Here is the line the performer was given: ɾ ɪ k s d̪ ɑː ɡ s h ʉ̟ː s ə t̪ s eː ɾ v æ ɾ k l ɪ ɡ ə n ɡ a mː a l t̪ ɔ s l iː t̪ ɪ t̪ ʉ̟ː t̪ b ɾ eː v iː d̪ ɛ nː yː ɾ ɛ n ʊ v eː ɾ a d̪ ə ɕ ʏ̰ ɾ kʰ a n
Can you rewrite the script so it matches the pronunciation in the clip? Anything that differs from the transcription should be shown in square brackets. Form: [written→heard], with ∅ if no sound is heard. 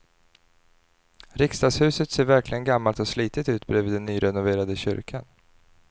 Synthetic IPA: ɾ ɪ k s [d̪→t̪] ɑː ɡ s h ʉ̟ː s ə t̪ s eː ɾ v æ ɾ k l ɪ ɡ ə n ɡ a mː a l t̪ ɔ s l iː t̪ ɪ t̪ ʉ̟ː t̪ b ɾ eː v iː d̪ ɛ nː yː ɾ ɛ n ʊ v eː ɾ a d̪ ə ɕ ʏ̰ ɾ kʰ a n